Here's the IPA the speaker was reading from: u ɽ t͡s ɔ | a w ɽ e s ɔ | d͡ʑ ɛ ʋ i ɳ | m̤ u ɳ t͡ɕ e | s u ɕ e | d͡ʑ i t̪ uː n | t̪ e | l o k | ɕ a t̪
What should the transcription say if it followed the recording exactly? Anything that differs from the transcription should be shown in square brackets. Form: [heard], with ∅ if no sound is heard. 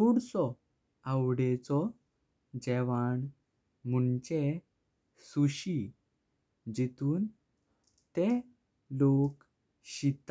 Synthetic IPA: u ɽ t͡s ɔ | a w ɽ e [t͡s] ɔ | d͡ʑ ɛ ʋ [a] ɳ | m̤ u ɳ t͡ɕ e | s u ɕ [i] | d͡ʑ i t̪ uː n | t̪ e | l o k | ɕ [i] t̪